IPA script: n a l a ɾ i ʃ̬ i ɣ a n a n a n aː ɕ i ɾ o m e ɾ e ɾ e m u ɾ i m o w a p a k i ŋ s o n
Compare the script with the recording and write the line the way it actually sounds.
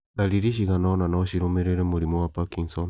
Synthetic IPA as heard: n a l i ɾ i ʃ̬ i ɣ a n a n a n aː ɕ i ɾ o m e ɾ e ɾ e m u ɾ i m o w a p a k i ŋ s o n